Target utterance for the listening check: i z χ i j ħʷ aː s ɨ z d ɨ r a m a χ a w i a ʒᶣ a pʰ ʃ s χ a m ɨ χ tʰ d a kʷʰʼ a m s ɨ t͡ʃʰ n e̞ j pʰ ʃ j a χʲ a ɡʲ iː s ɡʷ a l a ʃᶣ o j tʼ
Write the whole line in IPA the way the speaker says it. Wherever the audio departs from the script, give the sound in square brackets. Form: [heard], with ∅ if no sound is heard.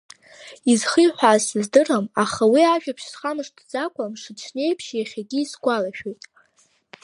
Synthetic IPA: i z χ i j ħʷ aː s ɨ z d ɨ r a m a χ a w i a ʒᶣ a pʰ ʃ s χ a m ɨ [ʂ] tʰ [d͡z] a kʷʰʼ a m [ʂ] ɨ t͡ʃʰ n e̞ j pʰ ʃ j a χʲ a ɡʲ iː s ɡʷ a l a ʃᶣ o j tʼ